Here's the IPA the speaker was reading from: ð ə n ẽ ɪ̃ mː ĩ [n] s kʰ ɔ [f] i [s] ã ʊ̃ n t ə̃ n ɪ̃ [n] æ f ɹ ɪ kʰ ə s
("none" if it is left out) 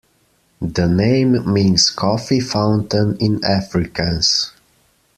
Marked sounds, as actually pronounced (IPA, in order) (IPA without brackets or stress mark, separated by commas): n, f, f, n